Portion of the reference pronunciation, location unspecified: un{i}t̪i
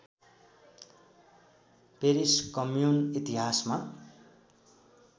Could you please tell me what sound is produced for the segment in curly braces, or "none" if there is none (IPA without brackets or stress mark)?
i